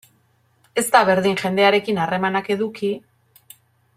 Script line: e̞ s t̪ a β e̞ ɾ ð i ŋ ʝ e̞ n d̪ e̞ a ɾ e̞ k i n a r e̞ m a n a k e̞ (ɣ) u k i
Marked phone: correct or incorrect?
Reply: incorrect